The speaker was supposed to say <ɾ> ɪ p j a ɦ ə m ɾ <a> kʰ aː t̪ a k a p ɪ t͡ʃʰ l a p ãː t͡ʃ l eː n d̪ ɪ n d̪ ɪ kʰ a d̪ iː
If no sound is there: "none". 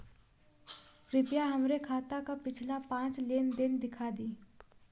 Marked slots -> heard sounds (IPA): ɾ, e

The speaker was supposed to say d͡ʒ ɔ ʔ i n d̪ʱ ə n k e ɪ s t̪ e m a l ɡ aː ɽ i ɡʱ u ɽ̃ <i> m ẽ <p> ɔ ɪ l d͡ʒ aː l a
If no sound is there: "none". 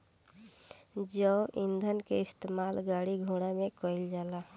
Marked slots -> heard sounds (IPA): a, k

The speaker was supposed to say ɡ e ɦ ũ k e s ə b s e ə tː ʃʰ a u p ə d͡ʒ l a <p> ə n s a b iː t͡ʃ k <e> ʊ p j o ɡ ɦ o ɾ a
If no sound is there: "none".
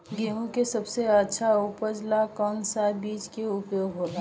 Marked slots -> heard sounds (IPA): k, e

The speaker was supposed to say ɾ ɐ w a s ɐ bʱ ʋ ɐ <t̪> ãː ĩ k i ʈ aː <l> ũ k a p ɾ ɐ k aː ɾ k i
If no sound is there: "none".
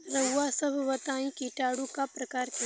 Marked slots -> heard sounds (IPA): t̪, ɽ

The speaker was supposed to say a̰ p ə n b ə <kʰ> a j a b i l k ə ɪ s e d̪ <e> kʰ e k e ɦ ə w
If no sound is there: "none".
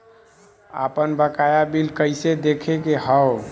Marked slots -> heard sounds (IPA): k, e

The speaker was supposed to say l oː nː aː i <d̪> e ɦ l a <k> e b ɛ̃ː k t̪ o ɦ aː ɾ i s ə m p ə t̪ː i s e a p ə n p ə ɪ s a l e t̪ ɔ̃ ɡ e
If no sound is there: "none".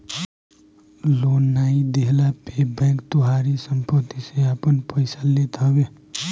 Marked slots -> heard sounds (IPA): d̪, p

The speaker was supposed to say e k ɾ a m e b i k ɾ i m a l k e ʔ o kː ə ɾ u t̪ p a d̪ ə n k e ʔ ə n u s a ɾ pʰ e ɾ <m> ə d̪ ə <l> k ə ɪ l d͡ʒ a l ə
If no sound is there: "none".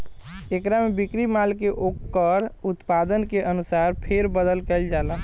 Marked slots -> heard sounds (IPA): b, l

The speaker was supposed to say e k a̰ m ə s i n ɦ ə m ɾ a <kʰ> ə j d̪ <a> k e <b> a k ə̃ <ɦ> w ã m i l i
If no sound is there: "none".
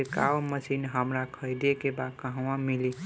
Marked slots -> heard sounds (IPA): kʰ, e, b, ɦ

